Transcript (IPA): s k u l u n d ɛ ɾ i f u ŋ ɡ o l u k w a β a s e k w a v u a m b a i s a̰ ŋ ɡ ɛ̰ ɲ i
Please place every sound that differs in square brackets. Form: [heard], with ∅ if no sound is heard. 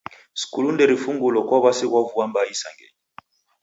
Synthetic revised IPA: s k u l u n d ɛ ɾ i f u ŋ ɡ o l [ɔ] k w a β a s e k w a v u a m b a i s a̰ ŋ ɡ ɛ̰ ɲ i